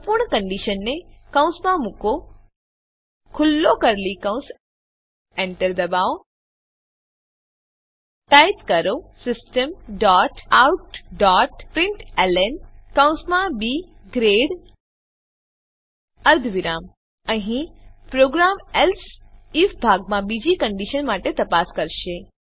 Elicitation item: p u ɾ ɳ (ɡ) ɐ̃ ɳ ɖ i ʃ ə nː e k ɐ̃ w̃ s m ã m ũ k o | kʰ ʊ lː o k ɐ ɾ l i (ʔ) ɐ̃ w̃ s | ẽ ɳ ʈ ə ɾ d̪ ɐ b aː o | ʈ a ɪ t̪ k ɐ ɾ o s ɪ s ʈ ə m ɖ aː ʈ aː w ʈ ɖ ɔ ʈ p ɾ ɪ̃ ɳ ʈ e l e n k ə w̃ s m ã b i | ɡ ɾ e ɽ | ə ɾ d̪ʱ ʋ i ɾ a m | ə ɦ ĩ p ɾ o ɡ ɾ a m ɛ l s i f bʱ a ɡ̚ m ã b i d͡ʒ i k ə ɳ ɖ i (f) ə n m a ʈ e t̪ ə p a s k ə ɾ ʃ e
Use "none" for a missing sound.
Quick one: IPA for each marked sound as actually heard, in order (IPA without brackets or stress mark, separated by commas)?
k, k, ʃ